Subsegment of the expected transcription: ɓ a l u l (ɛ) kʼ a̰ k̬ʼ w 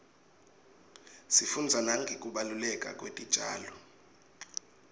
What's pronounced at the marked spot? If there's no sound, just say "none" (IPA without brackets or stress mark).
ɛ